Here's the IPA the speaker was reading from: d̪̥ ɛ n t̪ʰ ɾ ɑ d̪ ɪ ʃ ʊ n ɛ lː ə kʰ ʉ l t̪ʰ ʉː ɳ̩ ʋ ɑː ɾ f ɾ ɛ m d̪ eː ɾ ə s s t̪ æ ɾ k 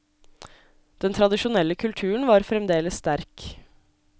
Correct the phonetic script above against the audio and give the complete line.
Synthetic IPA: d̪̥ ɛ n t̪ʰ ɾ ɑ d̪ ɪ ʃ ʊ n ɛ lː ə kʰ ʉ l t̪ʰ ʉː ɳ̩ ʋ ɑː ɾ f ɾ ɛ m d̪ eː l ə s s t̪ æ ɾ k